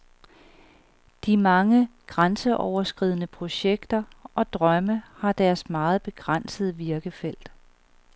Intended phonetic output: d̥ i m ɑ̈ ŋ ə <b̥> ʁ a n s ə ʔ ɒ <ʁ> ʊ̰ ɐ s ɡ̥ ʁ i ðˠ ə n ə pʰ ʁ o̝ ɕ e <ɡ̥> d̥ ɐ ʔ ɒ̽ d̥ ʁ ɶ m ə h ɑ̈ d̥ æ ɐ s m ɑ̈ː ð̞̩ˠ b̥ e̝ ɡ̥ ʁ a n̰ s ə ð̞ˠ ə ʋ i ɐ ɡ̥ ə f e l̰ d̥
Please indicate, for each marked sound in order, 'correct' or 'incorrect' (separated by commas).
incorrect, incorrect, correct